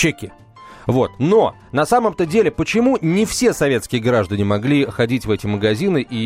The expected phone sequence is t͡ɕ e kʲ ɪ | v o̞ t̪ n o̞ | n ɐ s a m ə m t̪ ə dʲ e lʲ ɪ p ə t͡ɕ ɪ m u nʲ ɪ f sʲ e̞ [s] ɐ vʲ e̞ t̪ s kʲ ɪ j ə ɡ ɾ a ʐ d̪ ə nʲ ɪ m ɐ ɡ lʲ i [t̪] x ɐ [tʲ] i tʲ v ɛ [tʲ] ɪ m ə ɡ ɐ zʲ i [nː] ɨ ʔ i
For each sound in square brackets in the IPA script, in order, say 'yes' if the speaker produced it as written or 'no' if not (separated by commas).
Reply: yes, no, no, yes, no